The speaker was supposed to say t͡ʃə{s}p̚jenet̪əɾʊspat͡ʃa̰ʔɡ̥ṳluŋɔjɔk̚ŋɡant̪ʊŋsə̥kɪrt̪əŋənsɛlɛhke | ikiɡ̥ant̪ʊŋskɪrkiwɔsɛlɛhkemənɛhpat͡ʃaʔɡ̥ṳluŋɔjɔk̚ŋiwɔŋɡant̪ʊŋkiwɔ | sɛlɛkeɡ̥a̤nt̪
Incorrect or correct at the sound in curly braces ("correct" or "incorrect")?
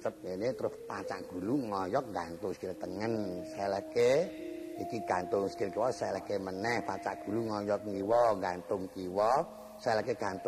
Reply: incorrect